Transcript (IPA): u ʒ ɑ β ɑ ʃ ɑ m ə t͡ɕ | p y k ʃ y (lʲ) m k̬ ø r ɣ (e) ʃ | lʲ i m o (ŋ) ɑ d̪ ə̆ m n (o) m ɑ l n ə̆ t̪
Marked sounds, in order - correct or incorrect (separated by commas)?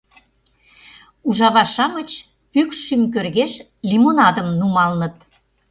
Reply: incorrect, correct, incorrect, incorrect